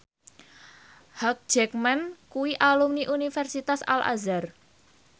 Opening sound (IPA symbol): h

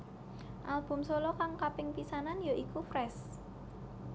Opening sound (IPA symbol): ʔ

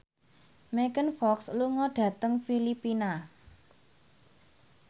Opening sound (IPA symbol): m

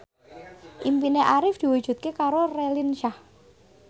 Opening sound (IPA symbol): ʔ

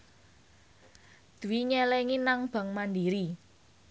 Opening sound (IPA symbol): d̪̥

